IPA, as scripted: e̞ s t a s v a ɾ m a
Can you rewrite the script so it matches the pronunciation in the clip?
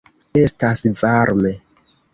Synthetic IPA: e̞ s t a s v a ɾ m e

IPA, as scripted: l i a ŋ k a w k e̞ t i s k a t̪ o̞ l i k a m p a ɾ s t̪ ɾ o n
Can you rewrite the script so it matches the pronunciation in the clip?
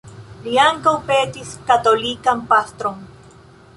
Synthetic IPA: l i a ŋ k a w p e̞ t i s k a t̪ o̞ l i k a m p a s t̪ ɾ o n

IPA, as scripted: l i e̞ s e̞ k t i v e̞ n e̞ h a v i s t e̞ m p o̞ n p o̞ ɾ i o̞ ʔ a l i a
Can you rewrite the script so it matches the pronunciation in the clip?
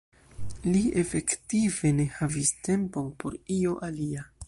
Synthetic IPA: l i e̞ f e̞ k t i v e̞ n e̞ h a v i s t e̞ m p o̞ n p o̞ ɾ i o̞ ʔ a l i a

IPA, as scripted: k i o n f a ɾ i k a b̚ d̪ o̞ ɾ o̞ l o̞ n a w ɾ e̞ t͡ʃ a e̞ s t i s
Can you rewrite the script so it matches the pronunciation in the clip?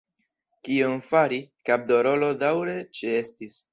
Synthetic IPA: k i o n f a ɾ i k a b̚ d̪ o̞ ɾ o̞ l o̞ d a w ɾ e̞ t͡ʃ e e̞ s t i s

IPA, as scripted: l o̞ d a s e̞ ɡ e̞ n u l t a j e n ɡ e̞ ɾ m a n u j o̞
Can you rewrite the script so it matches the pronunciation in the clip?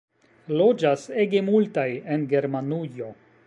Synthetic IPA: l o̞ d͡ʒ a s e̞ ɡ e̞ m u l t a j e n ɡ e̞ ɾ m a n u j o̞

